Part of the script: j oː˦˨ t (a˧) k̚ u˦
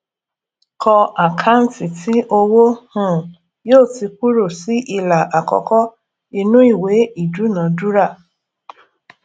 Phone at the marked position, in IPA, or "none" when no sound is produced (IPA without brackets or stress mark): i˧